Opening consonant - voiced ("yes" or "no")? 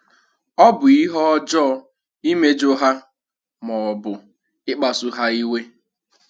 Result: yes